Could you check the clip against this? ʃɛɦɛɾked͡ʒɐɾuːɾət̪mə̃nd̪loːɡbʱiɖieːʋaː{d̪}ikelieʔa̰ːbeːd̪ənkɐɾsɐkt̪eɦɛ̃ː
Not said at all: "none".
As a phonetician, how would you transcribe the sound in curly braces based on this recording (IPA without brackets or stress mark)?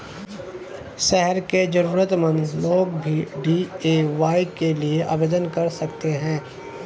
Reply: none